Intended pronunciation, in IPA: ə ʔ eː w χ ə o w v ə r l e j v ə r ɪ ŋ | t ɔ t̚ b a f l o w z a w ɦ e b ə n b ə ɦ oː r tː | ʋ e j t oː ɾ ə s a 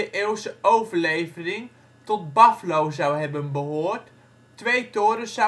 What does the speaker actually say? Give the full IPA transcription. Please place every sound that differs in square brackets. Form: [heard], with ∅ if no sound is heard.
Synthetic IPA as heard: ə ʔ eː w [s] ə o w v ə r l e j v ə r ɪ ŋ | t ɔ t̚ b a f l o w z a w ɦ [ɛ] b ə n b ə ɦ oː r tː | ʋ e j t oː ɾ ə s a